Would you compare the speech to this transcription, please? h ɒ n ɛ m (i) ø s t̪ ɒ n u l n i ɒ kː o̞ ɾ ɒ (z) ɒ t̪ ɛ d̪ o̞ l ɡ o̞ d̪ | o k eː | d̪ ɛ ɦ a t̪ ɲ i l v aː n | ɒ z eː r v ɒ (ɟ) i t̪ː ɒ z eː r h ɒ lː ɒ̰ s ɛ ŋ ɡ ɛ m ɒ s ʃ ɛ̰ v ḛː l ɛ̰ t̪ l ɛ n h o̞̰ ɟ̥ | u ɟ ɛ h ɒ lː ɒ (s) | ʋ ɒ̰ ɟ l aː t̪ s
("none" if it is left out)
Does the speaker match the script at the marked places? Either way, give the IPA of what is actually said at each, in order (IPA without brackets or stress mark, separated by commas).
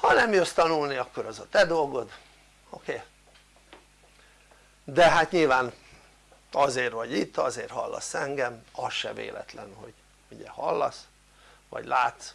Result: j, z, ɟ, s